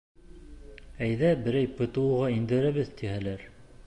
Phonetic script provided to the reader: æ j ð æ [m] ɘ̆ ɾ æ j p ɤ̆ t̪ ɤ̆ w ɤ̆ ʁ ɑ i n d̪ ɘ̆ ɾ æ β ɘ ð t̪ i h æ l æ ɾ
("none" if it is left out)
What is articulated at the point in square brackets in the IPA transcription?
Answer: b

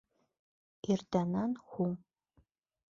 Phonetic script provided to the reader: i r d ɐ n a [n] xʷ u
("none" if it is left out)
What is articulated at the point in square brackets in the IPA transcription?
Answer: n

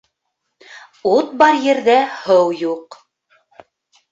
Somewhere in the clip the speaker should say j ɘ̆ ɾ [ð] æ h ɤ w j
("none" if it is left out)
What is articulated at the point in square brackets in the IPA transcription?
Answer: ð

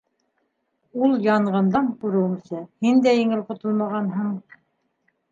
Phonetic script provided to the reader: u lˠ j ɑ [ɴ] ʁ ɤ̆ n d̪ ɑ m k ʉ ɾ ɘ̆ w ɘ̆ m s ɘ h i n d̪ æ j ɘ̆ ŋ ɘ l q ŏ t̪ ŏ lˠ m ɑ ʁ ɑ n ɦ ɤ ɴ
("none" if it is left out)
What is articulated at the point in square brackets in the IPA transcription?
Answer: ɴ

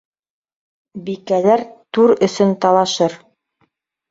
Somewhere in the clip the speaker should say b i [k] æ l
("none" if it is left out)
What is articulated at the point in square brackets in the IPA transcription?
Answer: k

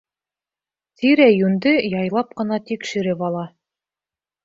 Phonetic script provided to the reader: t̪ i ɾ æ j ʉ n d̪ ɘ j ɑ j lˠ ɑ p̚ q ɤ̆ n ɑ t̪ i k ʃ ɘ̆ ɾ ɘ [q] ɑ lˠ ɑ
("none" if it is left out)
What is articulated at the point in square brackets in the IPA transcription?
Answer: p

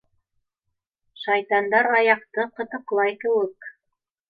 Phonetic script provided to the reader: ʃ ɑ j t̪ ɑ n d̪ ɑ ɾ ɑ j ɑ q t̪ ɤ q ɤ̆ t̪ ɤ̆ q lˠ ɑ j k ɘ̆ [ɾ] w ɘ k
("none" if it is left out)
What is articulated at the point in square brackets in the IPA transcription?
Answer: none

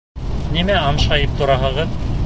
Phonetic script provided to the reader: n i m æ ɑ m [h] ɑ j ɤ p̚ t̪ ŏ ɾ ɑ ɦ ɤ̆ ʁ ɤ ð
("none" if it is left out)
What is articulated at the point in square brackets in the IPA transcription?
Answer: ʃ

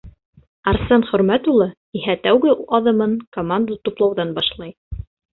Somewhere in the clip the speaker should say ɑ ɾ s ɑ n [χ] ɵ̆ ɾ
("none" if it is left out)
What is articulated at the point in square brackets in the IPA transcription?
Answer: χ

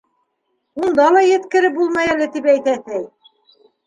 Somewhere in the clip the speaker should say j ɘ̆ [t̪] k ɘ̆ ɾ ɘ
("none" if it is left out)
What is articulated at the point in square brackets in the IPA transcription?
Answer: t̪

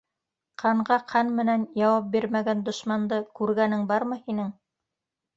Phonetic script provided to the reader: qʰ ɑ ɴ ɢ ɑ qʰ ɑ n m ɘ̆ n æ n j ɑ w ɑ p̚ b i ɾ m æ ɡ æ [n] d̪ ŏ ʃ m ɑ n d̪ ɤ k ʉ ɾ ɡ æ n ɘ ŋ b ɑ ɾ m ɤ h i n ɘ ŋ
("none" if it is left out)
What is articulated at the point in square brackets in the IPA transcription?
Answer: n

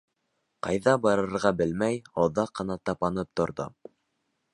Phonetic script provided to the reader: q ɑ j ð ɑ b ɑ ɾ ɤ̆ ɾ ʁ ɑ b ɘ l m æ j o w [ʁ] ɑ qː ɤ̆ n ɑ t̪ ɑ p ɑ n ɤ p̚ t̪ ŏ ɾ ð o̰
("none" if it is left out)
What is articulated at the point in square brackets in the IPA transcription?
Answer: ð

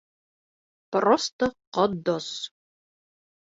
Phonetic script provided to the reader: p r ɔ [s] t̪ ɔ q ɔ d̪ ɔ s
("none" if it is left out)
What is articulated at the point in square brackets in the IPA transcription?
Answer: s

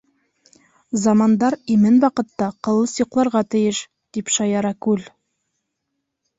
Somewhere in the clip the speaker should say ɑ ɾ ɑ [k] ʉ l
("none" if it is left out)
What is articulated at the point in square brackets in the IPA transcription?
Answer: k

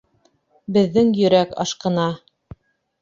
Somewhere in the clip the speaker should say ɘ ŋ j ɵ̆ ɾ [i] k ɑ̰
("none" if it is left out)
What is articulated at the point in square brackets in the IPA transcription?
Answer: æ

